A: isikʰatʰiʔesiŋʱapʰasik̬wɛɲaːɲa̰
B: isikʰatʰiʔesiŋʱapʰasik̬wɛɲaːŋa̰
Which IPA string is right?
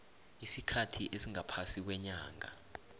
B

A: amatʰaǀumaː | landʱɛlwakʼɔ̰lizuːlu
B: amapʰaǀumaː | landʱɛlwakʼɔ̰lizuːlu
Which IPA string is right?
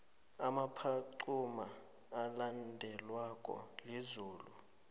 B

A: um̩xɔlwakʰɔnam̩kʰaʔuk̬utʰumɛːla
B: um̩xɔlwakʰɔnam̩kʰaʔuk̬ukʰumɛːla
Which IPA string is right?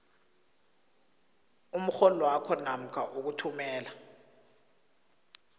A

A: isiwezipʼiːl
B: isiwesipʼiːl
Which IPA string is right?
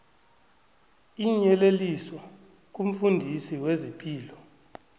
A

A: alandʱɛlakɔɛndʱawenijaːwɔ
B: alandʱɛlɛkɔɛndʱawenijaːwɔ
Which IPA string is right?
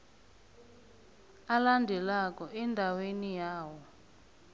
A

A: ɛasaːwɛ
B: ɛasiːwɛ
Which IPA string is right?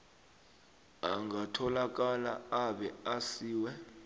B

